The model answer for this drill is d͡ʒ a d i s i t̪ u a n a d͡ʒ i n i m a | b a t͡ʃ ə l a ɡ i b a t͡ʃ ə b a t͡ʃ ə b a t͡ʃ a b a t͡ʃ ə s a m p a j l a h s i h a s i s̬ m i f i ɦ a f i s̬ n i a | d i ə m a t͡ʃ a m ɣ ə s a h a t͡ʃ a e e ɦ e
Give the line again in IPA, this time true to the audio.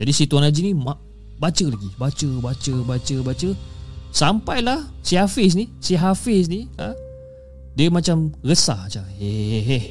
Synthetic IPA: d͡ʒ a d i s i t̪ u a n a d͡ʒ i n i m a | b a t͡ʃ ə l a ɡ i b a t͡ʃ ə b a t͡ʃ ə b a t͡ʃ ə b a t͡ʃ ə s a m p a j l a h s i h a f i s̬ n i s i ɦ a f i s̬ n i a | d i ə m a t͡ʃ a m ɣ ə s a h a t͡ʃ a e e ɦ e